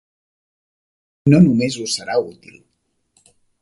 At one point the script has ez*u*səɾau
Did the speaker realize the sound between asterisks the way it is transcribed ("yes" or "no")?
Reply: yes